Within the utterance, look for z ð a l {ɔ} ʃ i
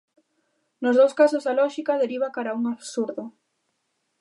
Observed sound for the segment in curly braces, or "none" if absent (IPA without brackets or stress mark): ɔ